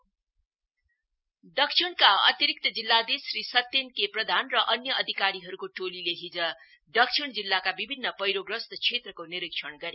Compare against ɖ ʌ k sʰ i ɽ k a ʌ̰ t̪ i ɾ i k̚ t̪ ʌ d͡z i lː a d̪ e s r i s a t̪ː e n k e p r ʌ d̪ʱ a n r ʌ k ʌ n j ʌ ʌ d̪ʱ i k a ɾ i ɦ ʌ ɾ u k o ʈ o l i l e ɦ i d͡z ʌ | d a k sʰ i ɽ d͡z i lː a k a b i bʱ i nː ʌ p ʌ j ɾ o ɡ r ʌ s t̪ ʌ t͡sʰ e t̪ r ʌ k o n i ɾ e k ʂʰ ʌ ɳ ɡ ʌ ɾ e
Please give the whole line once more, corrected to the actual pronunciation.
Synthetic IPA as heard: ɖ ʌ k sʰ i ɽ k a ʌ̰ t̪ i ɾ i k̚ t̪ ʌ d͡z i lː a d̪ e s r i s ʌ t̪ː e n k e p r ʌ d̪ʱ a n r ʌ ʔ ʌ n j ʌ ʌ d̪ʱ i k a ɾ i ɦ ʌ ɾ u k o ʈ o l i l e ɦ i d͡z ʌ | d ʌ k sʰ i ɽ d͡z i lː a k a b i bʱ i nː ʌ p ʌ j ɾ o ɡ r ʌ s t̪ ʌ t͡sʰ e t̪ r ʌ k o n i ɾ i k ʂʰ ʌ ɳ ɡ ʌ ɾ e